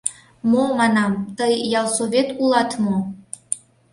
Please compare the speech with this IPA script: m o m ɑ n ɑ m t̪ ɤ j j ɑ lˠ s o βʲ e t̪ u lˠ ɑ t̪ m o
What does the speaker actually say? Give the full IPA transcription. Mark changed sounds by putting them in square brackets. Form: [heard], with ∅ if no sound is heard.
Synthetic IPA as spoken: m o m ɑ n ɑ m t̪ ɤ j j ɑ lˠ s o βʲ e t̪ u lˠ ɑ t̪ m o